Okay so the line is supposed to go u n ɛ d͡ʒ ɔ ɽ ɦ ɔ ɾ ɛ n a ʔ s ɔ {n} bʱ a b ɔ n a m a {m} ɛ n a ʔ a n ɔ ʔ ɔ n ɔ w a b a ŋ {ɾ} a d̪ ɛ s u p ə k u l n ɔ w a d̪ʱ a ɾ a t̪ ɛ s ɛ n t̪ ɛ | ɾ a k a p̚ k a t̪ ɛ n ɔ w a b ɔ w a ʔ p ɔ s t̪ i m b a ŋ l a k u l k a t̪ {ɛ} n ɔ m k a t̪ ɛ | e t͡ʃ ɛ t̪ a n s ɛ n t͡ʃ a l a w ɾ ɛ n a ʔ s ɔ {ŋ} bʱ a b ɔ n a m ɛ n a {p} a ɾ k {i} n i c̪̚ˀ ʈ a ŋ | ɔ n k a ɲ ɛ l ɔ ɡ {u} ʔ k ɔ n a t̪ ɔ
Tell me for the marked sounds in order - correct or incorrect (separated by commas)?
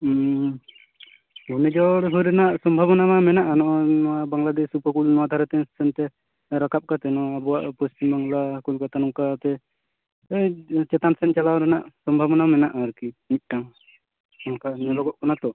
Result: incorrect, correct, incorrect, incorrect, incorrect, incorrect, correct, incorrect